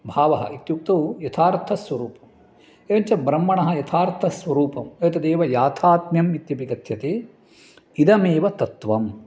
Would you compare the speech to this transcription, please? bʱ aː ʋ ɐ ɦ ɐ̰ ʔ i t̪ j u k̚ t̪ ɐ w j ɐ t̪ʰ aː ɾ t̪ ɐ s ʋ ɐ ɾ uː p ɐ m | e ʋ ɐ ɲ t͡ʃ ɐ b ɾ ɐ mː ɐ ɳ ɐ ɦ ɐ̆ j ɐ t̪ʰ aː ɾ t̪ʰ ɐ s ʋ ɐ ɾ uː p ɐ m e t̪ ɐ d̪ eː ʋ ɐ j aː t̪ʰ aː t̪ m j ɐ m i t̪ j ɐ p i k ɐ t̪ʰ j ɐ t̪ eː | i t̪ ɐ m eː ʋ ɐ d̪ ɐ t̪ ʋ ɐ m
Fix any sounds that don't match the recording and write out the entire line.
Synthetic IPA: bʱ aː ʋ ɐ ɦ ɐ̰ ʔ i t̪ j u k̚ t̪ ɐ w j ɐ t̪ʰ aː ɾ t̪ʰ ɐ s ʋ ɐ ɾ uː p ɐ m | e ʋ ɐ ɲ t͡ʃ ɐ b ɾ ɐ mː ɐ ɳ ɐ ɦ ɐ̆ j ɐ t̪ʰ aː ɾ t̪ʰ ɐ s ʋ ɐ ɾ uː p ɐ m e t̪ ɐ d̪ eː ʋ ɐ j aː t̪ʰ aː t̪ m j ɐ m i t̪ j ɐ p i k ɐ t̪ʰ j ɐ t̪ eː | i d̪ ɐ m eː ʋ ɐ t̪ ɐ t̪ ʋ ɐ m